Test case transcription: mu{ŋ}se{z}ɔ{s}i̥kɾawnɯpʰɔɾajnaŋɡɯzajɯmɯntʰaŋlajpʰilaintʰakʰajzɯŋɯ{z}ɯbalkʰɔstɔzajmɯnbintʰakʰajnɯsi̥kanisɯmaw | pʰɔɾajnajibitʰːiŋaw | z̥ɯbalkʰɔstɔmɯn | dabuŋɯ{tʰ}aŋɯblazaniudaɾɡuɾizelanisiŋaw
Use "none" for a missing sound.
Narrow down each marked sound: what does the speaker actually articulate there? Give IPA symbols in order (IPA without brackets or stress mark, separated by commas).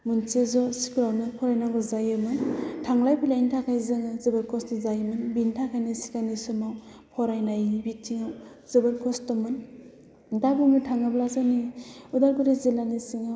n, z, s, z, tʰ